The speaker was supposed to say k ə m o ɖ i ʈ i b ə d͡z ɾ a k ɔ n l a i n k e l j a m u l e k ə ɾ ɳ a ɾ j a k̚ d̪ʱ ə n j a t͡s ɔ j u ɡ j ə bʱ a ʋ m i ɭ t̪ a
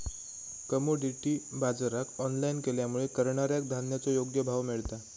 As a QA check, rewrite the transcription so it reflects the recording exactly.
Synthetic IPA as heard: k ə m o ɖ i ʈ i b a d͡z ɾ a k ɔ n l a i n k e l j a m u ɭ e k ə ɾ ɳ a ɾ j a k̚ d̪ʱ a n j a t͡s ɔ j o ɡ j ə bʱ a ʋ m i ɭ t̪ a